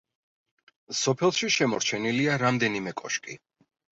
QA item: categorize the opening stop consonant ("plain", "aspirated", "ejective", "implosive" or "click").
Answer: aspirated